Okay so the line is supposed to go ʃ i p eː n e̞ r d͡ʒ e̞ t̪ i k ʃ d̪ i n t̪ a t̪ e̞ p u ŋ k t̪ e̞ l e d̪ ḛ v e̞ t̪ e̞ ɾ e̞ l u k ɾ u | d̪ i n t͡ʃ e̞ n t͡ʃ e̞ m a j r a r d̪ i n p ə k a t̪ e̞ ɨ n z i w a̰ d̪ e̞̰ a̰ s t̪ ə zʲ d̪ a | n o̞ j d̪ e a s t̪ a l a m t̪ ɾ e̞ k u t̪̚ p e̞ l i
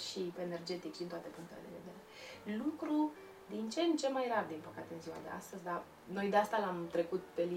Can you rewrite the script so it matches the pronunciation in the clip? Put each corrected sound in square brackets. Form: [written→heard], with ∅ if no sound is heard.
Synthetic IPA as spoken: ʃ i p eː n e̞ r d͡ʒ e̞ t̪ i k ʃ d̪ i n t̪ a t̪ e̞ p u ŋ k t̪ e̞ l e d̪ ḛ v e̞ [t̪→d̪] e̞ ɾ e̞ l u k ɾ u | d̪ i n t͡ʃ e̞ n t͡ʃ e̞ m a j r a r d̪ i n p ə k a t̪ e̞ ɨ n z i w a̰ d̪ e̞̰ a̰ s t̪ ə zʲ d̪ a | n o̞ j d̪ e a s t̪ a l a m t̪ ɾ e̞ k u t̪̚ p e̞ l i